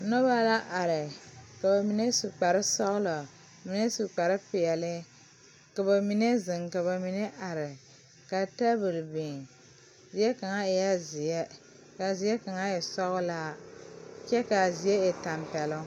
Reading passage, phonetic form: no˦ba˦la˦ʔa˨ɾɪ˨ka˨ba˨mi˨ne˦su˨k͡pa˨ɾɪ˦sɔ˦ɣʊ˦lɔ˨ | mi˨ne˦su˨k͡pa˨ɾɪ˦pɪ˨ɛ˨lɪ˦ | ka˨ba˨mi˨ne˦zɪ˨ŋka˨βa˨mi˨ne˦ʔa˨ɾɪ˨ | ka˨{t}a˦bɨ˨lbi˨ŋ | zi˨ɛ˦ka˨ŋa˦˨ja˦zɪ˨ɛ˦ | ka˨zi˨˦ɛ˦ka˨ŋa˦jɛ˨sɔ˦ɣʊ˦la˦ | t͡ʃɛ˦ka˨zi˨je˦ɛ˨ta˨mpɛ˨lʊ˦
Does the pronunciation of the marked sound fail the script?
no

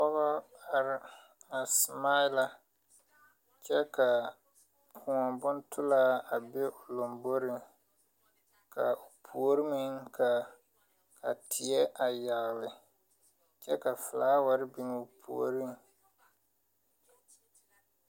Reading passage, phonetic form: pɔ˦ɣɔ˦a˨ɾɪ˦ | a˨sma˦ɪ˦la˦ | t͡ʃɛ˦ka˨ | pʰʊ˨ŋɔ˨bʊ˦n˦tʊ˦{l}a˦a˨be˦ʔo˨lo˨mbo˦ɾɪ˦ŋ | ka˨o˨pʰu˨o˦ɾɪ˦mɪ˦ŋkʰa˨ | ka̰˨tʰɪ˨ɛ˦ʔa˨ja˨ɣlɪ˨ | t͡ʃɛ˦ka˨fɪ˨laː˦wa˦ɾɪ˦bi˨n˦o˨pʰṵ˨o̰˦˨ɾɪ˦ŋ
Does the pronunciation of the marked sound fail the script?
no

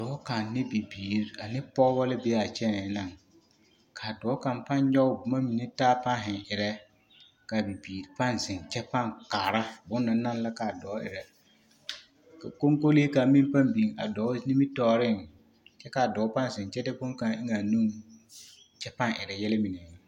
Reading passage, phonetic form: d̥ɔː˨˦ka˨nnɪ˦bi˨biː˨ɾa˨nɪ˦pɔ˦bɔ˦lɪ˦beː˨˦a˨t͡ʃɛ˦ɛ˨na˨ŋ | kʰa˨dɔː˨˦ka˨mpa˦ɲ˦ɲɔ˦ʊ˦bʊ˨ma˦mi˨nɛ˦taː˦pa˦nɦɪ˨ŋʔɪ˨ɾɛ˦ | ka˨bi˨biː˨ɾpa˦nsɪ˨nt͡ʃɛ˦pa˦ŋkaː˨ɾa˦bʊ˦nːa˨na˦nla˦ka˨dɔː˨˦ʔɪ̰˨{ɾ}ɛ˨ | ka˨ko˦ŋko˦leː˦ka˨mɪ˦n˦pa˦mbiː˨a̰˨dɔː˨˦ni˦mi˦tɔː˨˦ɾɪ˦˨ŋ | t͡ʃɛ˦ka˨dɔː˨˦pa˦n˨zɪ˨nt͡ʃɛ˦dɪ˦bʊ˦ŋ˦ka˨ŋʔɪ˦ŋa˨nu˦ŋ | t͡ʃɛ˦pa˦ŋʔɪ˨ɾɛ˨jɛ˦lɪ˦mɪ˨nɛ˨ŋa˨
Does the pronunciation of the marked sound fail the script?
no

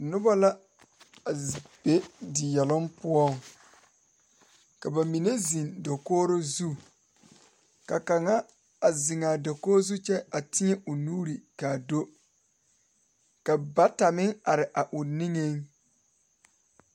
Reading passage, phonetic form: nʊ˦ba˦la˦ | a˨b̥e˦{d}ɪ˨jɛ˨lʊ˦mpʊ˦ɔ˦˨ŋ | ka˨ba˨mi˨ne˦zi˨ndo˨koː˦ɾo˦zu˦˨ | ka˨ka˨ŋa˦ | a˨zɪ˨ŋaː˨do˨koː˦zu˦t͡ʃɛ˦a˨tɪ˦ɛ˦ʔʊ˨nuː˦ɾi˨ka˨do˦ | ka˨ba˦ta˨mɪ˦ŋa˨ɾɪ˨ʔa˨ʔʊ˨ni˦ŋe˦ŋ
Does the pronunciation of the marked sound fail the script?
no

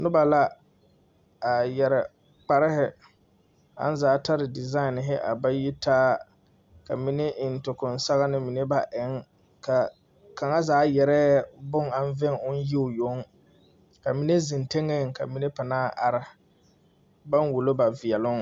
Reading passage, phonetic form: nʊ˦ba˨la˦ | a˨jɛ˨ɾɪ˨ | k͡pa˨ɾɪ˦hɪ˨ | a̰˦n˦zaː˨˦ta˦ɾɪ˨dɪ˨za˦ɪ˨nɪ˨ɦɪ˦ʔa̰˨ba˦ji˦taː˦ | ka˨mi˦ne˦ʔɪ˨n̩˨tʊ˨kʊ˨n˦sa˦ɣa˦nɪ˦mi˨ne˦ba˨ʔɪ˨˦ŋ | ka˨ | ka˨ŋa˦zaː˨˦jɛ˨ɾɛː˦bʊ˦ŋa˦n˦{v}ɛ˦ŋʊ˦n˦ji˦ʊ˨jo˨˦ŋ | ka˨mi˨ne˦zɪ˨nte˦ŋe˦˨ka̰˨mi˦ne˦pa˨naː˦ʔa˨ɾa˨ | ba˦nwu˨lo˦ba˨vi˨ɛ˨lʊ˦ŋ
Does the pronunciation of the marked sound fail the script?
no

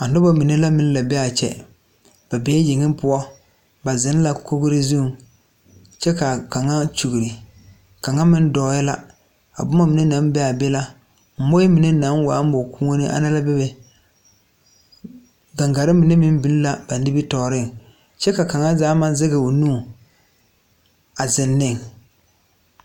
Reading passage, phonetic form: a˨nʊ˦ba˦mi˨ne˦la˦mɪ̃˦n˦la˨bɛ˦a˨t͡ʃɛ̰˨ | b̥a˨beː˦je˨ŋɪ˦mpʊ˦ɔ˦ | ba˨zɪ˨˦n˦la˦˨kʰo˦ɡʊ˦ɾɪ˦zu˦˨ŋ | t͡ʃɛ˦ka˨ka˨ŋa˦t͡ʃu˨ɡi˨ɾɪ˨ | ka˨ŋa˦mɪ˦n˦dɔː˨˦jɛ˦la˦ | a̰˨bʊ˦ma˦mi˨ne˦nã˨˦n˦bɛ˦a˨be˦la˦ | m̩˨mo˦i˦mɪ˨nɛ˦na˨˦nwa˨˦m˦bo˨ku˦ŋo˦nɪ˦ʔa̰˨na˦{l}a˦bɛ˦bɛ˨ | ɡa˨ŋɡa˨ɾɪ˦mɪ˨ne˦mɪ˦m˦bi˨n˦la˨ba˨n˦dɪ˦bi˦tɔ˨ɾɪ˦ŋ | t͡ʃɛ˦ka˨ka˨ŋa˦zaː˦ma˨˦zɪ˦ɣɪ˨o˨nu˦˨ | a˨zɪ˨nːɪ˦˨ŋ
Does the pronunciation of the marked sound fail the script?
no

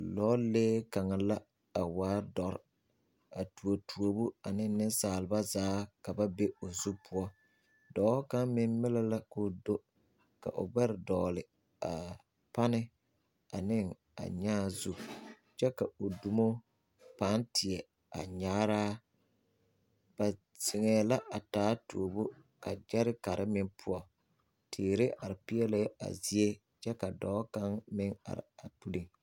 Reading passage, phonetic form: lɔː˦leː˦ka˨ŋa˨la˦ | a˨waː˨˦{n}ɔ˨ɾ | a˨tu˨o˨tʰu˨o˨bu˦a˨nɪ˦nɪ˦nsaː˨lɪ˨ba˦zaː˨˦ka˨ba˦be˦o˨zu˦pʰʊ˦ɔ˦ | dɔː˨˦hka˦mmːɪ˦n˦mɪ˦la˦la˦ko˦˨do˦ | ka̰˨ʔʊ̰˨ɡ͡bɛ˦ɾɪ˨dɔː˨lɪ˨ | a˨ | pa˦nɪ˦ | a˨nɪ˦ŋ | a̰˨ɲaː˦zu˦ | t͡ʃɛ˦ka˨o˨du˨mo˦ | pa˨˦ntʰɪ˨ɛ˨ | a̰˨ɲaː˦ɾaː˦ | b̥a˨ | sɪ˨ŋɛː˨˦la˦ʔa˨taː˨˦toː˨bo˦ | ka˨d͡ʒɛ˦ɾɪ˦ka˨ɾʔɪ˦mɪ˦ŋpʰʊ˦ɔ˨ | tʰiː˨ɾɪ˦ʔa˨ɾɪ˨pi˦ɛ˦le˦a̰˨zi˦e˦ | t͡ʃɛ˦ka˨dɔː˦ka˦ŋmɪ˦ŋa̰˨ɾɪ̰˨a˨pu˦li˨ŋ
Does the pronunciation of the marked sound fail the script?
yes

